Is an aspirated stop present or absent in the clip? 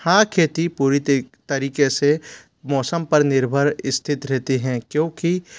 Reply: present